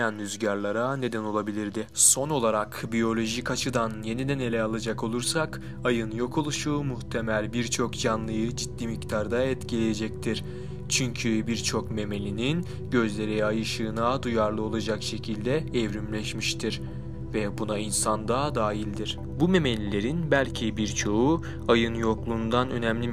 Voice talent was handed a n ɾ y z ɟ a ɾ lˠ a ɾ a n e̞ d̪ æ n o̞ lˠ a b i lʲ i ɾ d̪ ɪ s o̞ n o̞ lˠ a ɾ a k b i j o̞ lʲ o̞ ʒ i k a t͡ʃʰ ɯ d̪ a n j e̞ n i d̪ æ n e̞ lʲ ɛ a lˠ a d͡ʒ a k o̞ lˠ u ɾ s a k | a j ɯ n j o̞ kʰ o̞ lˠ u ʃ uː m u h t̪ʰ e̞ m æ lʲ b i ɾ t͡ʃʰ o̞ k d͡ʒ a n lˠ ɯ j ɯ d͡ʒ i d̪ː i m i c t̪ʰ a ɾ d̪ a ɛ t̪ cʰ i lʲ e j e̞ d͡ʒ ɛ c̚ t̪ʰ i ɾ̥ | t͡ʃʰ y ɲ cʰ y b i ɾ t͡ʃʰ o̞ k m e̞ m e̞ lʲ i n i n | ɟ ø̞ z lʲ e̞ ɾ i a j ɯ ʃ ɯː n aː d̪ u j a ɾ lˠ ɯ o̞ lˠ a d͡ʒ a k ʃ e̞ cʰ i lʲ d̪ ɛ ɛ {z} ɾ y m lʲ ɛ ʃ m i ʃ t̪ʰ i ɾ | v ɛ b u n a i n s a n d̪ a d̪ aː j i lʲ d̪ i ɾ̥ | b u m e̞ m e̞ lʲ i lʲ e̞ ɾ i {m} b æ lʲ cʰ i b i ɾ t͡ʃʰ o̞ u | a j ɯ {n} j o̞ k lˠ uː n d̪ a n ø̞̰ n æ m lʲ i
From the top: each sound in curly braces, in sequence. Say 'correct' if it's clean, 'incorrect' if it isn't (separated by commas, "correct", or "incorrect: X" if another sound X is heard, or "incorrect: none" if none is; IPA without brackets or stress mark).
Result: incorrect: v, incorrect: n, correct